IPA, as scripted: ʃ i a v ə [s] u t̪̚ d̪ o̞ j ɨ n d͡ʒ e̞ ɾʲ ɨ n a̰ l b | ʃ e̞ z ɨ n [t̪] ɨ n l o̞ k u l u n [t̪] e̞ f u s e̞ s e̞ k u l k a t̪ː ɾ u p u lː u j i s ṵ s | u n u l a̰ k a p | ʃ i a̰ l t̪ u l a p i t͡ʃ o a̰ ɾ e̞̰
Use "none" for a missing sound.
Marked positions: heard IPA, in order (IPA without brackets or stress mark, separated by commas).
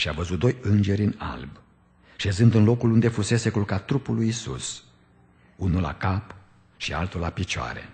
z, d̪, d̪